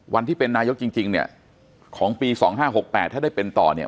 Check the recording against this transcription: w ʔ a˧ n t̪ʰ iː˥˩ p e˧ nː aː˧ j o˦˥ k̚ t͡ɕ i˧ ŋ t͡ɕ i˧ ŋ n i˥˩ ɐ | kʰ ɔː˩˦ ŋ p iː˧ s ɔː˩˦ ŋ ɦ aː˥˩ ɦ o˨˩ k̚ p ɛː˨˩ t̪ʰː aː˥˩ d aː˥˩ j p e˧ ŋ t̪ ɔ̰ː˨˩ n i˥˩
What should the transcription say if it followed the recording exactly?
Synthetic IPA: w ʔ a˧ n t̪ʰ iː˥˩ p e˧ nː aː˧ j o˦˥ k̚ t͡ɕ i˧ ŋ t͡ɕ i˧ ŋ n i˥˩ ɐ | kʰ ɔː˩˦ ŋ p iː˧ s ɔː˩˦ ŋ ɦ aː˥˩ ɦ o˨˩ k̚ p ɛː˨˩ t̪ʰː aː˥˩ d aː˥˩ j p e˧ n t̪ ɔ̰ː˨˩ n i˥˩